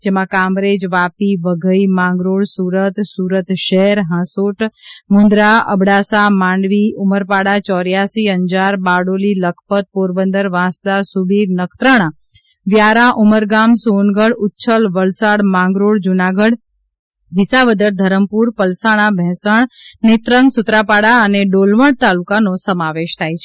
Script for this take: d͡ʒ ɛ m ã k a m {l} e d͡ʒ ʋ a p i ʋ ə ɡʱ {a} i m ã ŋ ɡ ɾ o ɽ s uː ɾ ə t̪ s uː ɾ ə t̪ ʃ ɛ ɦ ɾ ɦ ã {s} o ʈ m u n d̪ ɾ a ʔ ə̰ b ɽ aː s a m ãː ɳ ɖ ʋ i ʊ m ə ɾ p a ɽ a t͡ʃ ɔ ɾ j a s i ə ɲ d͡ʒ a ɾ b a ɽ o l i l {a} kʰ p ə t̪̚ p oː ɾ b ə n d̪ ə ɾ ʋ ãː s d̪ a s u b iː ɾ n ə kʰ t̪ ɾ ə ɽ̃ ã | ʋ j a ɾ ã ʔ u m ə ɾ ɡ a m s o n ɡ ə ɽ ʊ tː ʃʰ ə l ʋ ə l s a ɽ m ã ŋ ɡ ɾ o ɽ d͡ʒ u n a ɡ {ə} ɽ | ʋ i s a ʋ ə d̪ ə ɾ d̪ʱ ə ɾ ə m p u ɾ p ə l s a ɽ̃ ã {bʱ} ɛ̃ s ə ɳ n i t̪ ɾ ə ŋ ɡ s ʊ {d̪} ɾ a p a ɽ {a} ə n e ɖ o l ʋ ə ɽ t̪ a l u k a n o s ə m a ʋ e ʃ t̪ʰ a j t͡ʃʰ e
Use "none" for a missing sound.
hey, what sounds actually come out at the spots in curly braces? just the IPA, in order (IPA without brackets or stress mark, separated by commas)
ɾ, ə, s, ə, ə, bʱ, t̪, a